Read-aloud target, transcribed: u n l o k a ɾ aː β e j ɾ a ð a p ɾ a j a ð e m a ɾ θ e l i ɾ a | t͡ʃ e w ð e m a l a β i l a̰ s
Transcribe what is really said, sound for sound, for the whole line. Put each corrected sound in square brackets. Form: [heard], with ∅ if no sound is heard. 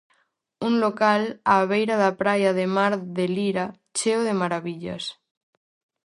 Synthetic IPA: u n l o k a [l] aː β e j ɾ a ð a p ɾ a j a ð e m a ɾ [ð] e l i ɾ a | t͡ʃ e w ð e m a [ɾ] a β i [ʎ] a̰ s